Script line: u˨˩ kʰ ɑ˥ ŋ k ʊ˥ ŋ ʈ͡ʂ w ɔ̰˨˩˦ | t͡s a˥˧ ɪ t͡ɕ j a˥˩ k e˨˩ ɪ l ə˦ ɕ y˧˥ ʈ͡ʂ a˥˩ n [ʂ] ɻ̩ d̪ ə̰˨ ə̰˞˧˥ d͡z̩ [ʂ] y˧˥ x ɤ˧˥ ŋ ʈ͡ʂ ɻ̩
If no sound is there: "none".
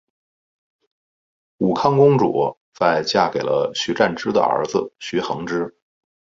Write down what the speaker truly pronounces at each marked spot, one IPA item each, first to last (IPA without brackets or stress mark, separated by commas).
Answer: ʈ͡ʂ, ɕ